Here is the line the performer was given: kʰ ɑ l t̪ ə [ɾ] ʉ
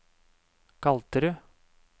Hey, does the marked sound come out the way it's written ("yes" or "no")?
yes